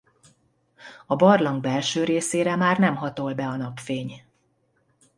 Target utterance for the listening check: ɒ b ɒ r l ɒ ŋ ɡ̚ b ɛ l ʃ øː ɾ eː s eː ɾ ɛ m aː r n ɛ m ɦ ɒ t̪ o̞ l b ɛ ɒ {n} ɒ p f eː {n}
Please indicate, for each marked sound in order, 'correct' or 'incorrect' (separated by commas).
correct, incorrect